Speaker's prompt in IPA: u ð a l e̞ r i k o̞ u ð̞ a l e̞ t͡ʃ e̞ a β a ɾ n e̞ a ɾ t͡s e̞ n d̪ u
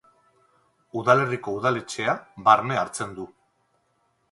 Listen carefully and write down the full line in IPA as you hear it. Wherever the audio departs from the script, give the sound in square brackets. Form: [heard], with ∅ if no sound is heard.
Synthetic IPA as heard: u ð a l e̞ r i k o̞ u ð̞ a l e̞ t͡ʃ e̞ a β a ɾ n e̞ a ɾ t͡s e̞ n d̪ u